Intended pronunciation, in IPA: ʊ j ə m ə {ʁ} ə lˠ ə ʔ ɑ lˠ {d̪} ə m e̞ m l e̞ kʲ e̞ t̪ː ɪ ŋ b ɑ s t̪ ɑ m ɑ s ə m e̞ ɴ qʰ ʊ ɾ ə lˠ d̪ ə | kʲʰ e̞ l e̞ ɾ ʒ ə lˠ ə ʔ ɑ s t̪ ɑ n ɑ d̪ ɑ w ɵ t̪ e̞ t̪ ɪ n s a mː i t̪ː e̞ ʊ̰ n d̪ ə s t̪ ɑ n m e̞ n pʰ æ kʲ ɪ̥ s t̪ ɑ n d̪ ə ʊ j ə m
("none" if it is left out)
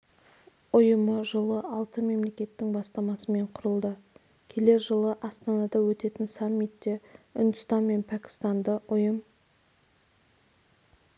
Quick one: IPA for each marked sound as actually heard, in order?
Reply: ʒ, t̪

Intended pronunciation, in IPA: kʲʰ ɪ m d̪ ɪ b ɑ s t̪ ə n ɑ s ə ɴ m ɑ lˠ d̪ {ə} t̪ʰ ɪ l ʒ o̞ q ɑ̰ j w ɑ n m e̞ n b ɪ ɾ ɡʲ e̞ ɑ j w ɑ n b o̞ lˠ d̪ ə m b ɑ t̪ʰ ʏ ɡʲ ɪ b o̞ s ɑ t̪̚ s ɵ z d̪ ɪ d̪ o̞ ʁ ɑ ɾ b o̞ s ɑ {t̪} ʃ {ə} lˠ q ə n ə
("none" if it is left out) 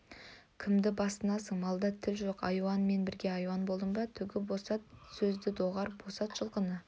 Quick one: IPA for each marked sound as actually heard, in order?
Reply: ɑ, t̪, ə

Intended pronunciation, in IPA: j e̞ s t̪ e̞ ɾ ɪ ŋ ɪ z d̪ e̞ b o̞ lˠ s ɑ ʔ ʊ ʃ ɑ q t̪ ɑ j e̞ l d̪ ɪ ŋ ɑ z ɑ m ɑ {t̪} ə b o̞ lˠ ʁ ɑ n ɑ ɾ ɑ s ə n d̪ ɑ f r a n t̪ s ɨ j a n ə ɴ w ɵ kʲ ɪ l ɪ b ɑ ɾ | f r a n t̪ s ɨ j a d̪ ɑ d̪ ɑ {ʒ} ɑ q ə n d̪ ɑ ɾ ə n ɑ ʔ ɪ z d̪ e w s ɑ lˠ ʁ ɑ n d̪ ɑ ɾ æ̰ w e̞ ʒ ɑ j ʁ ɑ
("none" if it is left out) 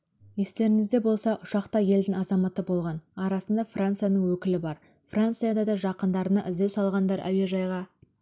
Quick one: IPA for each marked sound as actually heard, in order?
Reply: t̪, ʒ

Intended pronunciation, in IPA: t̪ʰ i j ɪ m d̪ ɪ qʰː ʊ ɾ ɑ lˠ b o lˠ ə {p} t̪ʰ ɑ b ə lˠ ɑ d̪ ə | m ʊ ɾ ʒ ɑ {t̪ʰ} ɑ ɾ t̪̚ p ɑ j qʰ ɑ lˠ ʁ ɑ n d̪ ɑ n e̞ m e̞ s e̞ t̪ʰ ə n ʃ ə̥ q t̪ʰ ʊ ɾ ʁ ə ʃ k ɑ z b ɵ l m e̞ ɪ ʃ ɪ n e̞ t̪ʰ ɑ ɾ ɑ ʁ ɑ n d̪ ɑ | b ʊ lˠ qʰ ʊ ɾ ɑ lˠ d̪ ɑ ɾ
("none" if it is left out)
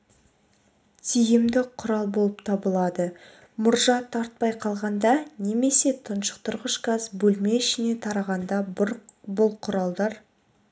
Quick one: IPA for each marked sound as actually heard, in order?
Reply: p, t̪ʰ

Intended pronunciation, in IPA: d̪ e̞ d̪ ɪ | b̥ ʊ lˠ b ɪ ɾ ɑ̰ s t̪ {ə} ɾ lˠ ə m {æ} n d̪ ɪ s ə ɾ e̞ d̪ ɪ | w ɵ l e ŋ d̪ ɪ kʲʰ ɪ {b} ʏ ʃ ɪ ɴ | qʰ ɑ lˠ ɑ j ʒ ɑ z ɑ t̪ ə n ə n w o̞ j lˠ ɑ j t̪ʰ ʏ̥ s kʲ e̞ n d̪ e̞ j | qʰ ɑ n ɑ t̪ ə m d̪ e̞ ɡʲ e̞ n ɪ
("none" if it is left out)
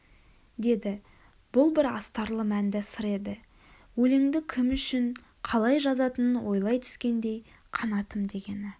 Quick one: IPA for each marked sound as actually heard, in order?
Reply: ɑ, æ, m

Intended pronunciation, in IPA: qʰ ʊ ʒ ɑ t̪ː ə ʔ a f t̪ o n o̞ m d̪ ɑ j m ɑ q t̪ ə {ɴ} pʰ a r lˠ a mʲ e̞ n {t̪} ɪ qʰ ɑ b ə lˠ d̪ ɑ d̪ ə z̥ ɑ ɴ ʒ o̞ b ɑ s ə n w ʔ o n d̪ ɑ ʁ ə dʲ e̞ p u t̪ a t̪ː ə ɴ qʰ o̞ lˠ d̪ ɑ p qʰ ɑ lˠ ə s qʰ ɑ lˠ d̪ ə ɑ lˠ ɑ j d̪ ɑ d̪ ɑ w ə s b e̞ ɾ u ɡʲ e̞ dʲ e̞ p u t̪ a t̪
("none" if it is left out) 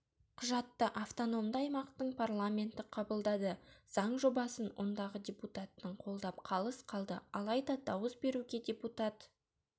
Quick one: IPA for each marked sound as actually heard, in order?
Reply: ɴ, t̪

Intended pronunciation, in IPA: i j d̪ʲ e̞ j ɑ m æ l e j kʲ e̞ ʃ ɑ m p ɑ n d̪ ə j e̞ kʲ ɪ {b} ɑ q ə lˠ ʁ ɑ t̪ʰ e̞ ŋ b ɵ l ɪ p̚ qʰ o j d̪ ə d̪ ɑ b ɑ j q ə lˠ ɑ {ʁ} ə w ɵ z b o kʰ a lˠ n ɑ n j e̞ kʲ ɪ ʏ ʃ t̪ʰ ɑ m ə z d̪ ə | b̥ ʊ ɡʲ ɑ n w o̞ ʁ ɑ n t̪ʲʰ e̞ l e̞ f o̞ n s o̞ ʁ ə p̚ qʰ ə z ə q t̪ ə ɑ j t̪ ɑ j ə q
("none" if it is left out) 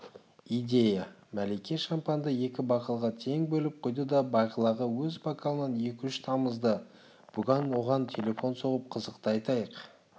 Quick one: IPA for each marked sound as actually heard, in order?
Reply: b, ʁ

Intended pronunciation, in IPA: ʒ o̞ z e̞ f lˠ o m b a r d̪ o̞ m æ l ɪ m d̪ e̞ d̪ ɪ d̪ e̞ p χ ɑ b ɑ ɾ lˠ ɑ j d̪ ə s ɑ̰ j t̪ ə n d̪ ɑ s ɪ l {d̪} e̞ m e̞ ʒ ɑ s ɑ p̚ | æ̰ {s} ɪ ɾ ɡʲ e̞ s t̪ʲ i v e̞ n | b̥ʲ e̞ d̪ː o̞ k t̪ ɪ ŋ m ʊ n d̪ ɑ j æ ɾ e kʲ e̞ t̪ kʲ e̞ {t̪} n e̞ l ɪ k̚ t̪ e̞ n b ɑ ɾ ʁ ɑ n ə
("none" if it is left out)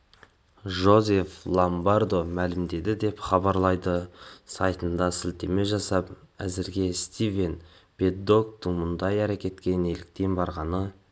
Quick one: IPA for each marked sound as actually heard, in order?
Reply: t̪, z, none

